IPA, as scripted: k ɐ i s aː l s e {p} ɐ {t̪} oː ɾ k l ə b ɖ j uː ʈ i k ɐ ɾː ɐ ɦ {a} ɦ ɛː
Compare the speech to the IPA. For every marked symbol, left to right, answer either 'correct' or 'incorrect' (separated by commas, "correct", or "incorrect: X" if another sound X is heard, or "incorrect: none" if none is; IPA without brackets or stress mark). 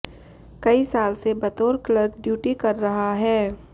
incorrect: b, correct, correct